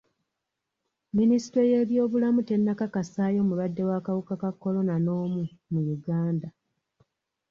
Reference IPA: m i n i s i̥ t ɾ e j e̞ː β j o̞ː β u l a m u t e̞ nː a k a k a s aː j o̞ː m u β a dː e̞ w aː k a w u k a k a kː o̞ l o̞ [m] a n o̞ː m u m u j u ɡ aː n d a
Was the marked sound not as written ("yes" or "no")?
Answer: yes